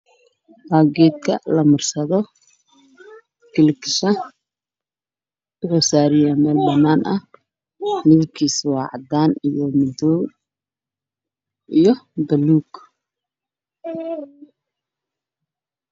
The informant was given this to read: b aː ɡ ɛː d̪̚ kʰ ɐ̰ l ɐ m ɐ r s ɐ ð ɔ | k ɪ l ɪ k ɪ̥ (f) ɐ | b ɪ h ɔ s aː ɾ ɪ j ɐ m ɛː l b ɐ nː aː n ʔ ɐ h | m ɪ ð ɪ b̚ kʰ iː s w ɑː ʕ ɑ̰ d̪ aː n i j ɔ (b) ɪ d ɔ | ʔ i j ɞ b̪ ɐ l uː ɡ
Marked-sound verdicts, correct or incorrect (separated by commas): incorrect, incorrect